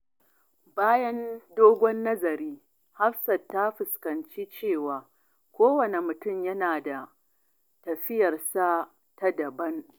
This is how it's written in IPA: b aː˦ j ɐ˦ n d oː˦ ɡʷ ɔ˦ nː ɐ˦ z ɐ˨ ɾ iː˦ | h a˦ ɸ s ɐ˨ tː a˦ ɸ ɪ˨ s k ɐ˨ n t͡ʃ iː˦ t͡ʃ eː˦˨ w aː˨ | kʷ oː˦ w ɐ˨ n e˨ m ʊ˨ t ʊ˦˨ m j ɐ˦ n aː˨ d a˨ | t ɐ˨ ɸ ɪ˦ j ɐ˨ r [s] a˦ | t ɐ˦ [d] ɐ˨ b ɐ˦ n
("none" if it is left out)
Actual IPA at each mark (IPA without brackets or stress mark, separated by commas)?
s, d